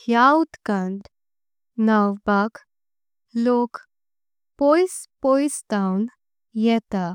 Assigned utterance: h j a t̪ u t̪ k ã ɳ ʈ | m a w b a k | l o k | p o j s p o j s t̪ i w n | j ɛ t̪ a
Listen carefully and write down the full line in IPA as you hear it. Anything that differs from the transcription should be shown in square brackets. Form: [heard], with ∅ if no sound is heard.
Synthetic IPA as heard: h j a [∅] u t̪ k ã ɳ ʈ | [n] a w b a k | l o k | p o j s p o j s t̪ [a] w n | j ɛ t̪ a